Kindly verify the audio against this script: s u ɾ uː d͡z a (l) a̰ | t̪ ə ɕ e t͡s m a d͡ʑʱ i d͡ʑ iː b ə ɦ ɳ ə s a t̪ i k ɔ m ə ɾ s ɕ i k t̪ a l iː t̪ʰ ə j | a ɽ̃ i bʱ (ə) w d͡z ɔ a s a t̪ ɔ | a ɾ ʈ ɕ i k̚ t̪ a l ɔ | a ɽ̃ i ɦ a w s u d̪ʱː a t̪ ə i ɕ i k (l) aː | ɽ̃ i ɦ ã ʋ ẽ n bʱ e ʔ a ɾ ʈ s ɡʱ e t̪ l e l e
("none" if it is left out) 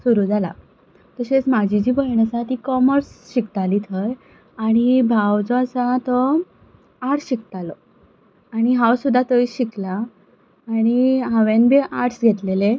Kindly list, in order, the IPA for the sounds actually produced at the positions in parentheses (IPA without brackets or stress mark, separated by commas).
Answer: l, a, l